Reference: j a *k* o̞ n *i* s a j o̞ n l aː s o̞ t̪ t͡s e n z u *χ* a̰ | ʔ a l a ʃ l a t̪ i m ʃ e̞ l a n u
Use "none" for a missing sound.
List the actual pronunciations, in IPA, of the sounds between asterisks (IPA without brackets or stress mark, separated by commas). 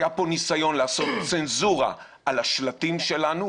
p, i, ʁ